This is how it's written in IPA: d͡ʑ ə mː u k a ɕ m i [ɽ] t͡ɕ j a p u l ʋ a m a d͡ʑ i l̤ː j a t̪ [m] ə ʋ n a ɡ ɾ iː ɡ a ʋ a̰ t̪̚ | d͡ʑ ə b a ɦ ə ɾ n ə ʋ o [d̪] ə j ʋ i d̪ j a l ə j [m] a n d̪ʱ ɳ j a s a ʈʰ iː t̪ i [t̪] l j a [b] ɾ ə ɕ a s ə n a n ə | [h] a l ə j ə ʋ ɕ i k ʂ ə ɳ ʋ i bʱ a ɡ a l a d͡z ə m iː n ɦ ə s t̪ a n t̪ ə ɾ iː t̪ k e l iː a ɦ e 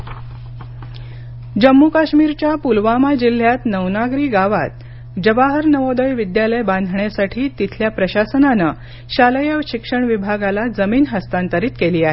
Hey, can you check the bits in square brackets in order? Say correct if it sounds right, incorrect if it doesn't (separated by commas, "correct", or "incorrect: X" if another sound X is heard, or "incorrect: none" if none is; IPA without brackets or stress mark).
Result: incorrect: ɾ, incorrect: n, correct, incorrect: b, incorrect: t̪ʰ, incorrect: p, incorrect: ɕ